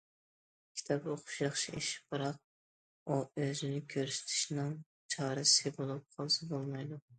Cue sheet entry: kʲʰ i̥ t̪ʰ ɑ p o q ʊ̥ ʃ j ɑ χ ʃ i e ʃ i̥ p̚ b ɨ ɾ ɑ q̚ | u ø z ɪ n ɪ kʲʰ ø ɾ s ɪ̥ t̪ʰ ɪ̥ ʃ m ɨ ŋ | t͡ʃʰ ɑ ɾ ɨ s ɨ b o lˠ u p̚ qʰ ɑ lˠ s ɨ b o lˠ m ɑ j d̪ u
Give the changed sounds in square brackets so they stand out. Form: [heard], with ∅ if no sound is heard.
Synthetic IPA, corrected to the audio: kʲʰ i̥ t̪ʰ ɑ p o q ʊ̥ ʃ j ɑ χ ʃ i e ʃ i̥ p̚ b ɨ ɾ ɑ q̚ | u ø z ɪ n ɪ kʲʰ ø ɾ s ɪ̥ t̪ʰ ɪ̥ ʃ [n] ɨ ŋ | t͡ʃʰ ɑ ɾ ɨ s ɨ b o lˠ u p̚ qʰ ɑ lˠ s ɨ b o lˠ m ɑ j d̪ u